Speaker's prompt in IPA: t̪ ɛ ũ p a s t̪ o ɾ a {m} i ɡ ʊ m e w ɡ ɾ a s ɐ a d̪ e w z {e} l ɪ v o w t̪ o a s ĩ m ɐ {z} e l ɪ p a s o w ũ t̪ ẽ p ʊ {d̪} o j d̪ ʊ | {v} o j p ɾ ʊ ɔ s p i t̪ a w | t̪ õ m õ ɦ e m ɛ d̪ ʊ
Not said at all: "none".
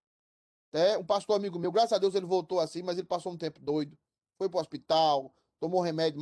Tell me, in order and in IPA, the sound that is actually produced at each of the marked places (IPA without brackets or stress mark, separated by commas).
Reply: m, e, z, d̪, f